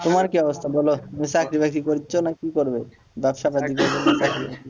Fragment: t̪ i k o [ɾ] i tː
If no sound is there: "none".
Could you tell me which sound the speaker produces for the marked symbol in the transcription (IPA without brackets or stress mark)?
ɾ